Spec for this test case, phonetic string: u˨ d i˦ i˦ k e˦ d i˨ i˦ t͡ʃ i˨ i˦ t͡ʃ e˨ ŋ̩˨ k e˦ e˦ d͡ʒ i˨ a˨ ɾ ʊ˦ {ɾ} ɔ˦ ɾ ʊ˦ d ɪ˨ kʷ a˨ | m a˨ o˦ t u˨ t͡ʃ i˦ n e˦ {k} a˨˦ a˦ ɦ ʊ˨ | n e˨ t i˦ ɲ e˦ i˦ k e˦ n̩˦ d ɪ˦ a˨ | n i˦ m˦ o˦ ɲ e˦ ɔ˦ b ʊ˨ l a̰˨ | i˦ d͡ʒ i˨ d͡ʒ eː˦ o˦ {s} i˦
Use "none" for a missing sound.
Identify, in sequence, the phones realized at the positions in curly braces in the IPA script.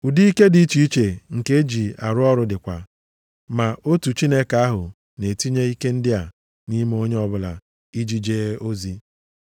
none, k, z

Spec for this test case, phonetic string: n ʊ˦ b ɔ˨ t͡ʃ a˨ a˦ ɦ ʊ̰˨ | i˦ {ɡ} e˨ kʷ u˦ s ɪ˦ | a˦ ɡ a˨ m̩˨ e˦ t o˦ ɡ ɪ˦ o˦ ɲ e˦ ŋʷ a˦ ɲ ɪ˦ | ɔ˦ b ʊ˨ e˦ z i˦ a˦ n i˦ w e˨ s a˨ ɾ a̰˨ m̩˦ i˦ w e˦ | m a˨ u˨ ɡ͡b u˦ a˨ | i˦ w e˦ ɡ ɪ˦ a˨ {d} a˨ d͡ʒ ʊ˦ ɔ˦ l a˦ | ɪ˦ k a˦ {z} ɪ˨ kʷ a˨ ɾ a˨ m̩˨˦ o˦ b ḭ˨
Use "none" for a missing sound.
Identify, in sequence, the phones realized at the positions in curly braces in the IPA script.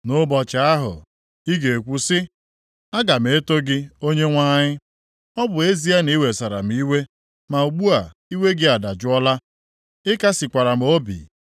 ɡ, d, s

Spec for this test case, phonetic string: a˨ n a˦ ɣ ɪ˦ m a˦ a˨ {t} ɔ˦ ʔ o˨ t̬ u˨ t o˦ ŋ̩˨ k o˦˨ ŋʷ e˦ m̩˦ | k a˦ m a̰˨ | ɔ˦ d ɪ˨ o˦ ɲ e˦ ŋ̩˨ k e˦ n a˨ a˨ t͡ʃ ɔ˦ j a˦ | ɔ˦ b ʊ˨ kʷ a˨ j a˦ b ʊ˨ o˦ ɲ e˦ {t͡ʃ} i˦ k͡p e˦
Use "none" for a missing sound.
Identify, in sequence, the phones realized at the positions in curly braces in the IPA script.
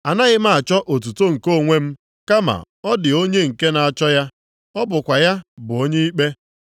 t͡ʃ, none

